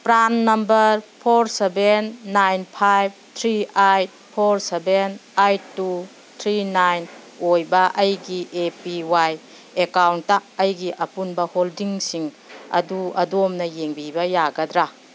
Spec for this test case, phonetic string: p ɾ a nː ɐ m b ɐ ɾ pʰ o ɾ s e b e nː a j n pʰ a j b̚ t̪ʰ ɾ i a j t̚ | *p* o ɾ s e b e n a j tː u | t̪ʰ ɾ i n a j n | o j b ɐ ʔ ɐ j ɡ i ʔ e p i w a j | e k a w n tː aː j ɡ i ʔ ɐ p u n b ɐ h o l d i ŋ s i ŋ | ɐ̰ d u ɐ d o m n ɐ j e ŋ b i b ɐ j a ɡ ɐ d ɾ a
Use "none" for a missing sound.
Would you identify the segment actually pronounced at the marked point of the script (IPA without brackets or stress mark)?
pʰ